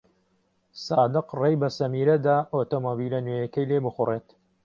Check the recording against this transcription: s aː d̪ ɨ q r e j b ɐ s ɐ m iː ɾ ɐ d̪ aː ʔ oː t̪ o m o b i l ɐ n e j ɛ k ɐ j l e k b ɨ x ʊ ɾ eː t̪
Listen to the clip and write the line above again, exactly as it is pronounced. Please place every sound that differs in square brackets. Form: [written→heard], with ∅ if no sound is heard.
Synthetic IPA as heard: s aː d̪ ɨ q r e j b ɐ s ɐ m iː ɾ ɐ d̪ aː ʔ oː t̪ o m o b i l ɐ n e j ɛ k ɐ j l e [k→∅] b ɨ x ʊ [ɾ→r] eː t̪